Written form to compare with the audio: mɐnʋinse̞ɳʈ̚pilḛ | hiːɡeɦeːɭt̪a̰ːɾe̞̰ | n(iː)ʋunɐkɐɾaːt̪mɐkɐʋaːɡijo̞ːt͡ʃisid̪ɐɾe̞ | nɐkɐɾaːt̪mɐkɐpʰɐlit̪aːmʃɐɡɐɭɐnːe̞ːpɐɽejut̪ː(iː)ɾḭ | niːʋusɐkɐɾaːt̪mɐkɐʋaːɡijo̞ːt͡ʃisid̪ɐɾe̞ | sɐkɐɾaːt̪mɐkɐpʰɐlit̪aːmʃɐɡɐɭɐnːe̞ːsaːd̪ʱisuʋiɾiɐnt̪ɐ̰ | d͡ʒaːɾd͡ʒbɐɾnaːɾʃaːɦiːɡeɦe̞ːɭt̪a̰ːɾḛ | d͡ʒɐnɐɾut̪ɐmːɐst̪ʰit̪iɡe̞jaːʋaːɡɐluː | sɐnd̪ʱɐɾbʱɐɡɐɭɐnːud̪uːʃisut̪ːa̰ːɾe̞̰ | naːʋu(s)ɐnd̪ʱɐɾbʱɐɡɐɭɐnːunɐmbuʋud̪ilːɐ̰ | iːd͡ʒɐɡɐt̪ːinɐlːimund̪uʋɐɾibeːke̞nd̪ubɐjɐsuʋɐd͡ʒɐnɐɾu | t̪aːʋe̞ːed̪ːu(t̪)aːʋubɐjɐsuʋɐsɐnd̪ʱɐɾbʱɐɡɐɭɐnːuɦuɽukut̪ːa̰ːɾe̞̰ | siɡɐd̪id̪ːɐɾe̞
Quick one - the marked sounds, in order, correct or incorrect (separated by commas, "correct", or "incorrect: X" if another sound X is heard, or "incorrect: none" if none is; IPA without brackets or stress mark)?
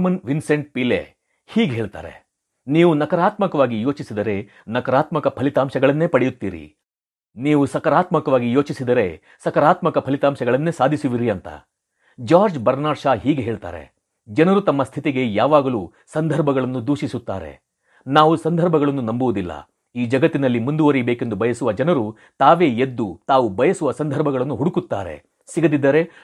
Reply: correct, correct, correct, correct